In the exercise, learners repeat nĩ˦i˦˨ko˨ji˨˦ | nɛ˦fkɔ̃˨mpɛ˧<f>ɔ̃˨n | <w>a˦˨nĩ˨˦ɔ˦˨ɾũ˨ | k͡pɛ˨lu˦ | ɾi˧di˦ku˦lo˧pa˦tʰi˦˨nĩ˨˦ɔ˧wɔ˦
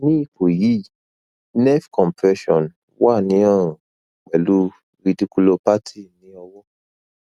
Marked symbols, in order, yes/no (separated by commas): no, yes